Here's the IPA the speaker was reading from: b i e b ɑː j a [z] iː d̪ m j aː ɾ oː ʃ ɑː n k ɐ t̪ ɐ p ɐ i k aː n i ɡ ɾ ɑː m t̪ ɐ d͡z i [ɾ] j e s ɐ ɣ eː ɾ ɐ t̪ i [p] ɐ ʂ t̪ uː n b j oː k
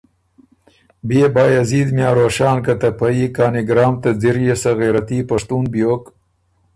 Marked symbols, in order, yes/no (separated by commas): yes, yes, yes